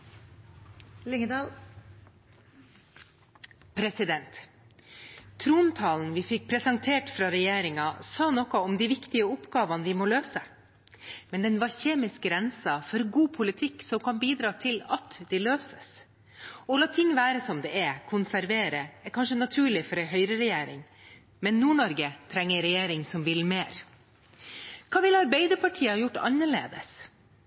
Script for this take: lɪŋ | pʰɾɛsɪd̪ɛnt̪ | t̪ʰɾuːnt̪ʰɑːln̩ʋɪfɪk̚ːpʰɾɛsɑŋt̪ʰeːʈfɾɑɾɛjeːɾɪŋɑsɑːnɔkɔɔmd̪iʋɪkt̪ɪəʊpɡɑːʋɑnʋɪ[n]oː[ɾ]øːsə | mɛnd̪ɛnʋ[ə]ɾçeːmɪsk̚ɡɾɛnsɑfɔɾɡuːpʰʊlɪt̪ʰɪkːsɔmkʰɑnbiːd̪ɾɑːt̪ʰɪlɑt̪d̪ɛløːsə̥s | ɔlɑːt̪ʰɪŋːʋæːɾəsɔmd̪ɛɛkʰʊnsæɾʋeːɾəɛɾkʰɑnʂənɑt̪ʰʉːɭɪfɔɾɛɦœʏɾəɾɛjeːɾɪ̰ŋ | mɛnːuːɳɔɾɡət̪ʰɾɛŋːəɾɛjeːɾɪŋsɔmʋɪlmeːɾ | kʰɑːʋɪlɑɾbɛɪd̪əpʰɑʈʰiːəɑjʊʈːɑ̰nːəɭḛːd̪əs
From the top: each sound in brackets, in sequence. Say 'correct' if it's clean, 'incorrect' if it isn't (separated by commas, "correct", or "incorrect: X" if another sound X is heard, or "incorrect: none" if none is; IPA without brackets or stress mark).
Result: incorrect: m, incorrect: l, incorrect: ɑ